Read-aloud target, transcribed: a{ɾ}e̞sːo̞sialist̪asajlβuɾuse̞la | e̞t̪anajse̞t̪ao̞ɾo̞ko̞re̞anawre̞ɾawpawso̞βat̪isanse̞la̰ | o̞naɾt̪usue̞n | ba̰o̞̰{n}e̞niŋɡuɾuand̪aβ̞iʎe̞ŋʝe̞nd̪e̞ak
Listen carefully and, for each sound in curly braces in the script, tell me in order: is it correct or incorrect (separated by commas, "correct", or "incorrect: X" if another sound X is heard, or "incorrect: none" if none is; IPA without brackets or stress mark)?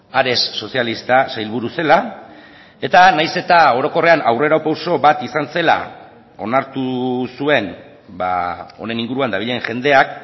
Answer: correct, correct